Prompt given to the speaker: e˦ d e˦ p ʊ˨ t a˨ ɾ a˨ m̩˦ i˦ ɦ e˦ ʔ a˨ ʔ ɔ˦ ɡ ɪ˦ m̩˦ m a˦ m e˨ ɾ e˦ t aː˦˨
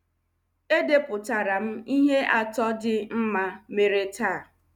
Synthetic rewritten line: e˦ d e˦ p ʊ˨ t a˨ ɾ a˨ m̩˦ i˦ ɦ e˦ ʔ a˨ t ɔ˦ d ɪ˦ m̩˦ m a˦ m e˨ ɾ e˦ t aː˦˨